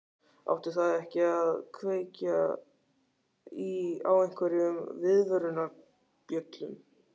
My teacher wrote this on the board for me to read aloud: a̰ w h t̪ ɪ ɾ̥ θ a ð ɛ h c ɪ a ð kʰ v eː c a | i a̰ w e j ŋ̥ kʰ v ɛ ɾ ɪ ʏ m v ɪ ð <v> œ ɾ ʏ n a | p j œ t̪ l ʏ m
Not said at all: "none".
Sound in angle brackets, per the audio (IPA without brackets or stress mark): v